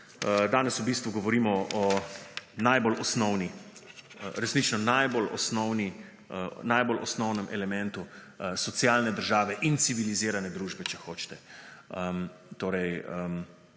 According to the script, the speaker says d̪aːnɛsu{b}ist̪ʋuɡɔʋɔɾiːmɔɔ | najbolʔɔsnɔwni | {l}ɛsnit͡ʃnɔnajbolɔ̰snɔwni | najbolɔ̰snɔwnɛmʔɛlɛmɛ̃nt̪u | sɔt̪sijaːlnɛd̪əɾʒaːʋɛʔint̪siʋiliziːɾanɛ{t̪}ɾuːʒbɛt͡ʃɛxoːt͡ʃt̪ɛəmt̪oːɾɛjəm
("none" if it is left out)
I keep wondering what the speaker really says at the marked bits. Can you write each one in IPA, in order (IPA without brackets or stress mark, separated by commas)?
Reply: b, ɾ, d̪